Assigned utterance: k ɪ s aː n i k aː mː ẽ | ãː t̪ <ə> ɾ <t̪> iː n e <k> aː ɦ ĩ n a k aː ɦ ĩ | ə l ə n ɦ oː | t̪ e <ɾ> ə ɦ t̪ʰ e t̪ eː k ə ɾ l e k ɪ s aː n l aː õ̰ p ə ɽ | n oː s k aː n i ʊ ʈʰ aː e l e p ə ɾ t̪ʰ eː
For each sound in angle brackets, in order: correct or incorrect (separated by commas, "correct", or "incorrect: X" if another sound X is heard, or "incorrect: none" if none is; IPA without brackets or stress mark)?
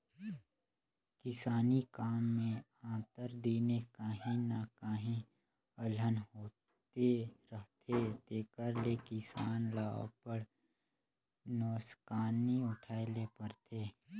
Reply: correct, incorrect: d̪, correct, correct